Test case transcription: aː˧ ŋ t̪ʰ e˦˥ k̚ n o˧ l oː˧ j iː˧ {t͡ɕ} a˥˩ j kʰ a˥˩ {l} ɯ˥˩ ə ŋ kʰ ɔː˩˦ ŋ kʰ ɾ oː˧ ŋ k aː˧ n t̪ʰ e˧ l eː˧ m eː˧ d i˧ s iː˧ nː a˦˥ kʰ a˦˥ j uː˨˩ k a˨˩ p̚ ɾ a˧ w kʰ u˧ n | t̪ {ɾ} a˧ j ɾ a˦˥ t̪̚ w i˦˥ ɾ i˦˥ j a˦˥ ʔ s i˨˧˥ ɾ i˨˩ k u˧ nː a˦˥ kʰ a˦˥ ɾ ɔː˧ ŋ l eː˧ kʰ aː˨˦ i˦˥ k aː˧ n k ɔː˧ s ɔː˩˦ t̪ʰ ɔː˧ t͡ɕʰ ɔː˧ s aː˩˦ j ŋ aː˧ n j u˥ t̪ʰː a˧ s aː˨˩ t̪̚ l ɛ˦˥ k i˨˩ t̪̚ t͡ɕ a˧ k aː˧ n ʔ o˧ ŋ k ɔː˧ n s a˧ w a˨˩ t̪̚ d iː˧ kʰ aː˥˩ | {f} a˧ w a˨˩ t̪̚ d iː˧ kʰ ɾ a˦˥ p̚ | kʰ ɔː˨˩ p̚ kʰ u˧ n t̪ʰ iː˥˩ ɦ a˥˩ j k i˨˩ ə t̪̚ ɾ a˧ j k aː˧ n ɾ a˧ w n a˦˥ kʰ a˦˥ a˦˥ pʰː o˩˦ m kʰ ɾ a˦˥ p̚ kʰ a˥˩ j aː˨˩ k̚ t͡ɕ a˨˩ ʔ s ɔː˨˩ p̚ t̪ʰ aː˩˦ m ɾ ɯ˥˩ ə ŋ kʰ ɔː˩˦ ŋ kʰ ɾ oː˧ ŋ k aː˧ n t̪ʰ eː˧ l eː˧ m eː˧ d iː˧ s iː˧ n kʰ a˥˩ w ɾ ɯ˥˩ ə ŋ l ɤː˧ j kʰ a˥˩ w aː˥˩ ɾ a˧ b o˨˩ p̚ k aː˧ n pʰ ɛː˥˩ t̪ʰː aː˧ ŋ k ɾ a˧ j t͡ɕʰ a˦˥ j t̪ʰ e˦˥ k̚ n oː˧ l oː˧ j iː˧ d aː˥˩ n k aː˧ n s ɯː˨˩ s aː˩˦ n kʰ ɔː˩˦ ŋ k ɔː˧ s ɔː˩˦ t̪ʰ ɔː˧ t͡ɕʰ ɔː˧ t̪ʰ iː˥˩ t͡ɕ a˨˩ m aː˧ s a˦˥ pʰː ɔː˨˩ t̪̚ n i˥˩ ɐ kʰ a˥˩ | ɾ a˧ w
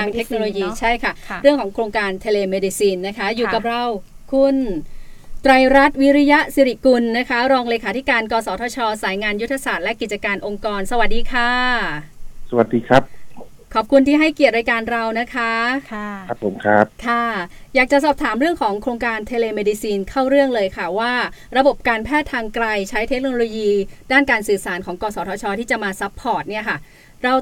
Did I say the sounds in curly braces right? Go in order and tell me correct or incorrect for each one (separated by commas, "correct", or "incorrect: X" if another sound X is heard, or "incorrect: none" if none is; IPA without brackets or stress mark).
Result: incorrect: t͡ɕʰ, incorrect: ɾ, correct, incorrect: s